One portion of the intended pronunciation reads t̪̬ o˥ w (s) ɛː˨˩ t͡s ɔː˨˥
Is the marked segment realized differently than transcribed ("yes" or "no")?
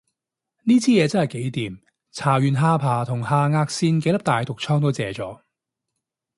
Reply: yes